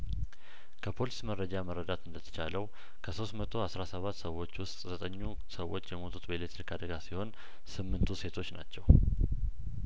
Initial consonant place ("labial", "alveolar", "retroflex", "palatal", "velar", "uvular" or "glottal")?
velar